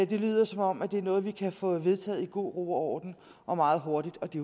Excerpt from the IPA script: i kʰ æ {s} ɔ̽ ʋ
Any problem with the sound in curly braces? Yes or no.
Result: yes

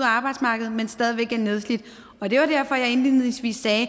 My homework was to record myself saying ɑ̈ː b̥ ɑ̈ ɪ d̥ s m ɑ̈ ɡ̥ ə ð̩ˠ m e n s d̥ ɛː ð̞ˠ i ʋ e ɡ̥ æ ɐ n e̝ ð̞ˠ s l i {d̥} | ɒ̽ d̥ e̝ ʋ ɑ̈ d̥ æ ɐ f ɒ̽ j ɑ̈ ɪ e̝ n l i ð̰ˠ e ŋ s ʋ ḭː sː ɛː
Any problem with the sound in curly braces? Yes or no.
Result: no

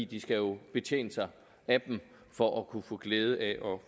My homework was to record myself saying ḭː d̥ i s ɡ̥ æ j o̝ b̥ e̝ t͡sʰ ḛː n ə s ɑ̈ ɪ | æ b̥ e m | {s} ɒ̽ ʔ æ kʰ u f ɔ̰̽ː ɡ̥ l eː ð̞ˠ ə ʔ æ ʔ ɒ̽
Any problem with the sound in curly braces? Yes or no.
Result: yes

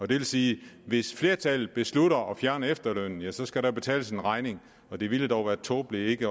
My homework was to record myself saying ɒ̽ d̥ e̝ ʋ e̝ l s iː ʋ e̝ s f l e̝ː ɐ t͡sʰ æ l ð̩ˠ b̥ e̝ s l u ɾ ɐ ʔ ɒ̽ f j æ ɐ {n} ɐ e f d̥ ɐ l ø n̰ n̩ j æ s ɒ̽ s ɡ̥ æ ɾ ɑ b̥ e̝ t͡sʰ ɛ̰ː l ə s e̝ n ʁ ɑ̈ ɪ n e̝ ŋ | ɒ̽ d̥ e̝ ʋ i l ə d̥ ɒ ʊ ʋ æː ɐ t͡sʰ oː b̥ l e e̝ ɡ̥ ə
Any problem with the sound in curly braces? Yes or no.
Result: no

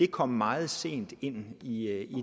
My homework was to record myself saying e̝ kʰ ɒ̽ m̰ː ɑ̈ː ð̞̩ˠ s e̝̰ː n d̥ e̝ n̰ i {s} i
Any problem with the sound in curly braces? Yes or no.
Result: yes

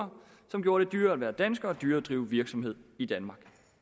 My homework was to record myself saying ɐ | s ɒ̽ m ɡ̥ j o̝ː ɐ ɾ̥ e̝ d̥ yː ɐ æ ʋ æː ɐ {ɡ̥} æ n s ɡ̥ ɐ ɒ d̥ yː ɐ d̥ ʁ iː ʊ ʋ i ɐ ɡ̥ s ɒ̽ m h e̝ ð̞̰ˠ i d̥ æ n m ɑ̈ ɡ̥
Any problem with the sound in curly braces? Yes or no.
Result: yes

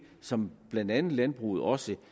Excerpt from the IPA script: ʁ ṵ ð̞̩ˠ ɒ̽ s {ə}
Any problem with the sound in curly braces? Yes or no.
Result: no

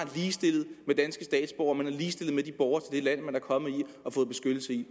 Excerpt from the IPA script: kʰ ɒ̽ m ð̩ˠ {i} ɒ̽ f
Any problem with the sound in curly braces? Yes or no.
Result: no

